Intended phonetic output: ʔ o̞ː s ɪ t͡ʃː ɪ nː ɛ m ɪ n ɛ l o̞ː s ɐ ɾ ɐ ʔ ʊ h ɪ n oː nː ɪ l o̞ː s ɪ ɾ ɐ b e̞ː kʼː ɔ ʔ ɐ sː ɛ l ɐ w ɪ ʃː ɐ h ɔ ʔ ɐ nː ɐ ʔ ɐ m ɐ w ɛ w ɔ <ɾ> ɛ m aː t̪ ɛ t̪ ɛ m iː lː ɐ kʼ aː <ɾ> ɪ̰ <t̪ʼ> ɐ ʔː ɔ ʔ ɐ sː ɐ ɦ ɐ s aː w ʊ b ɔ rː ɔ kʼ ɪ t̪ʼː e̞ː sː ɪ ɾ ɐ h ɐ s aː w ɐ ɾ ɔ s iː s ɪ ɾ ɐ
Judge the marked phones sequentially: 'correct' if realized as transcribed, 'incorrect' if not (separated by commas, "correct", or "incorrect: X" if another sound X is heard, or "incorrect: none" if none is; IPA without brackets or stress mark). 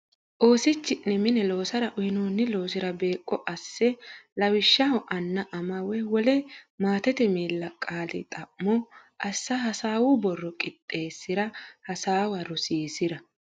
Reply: incorrect: l, incorrect: l, correct